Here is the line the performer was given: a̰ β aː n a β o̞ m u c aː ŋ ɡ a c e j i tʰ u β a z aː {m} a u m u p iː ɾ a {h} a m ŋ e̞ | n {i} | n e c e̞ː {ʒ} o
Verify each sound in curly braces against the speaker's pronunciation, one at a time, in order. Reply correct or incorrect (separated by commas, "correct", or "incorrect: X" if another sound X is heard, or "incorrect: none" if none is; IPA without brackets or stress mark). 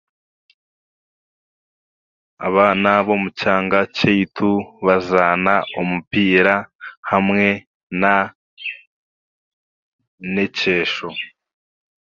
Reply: incorrect: n, correct, incorrect: a, incorrect: ʃ